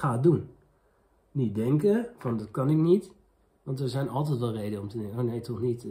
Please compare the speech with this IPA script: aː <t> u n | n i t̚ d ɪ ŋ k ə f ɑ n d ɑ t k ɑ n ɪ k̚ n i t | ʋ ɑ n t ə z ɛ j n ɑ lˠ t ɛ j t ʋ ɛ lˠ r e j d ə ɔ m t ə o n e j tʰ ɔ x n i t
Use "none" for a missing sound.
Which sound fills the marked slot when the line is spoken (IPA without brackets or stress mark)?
d